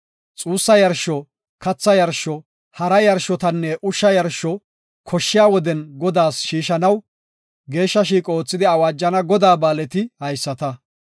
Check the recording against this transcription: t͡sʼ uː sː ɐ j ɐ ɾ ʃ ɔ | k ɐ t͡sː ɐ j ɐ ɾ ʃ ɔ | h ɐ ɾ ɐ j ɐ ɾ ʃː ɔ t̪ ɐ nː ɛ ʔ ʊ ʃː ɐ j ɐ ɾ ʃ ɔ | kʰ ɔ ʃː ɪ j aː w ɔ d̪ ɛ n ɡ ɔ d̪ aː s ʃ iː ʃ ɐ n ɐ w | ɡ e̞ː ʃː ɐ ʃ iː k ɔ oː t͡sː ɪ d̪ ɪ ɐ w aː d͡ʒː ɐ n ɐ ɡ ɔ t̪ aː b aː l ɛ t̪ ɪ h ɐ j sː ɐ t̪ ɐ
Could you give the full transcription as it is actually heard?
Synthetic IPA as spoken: t͡sʼ uː sː ɐ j ɐ ɾ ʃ ɔ | k ɐ t͡sː ɐ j ɐ ɾ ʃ ɔ | h ɐ ɾ ɐ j ɐ ɾ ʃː ɔ t̪ ɐ nː ɛ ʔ ʊ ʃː ɐ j ɐ ɾ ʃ ɔ | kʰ ɔ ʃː ɪ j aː w ɔ d̪ ɛ n ɡ ɔ d̪ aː s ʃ iː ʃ ɐ n ɐ w | ɡ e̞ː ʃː ɐ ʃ iː kʼ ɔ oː t͡sː ɪ d̪ ɪ ɐ w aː d͡ʒː ɐ n ɐ ɡ ɔ d̪ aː b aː l ɛ t̪ ɪ h ɐ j sː ɐ t̪ ɐ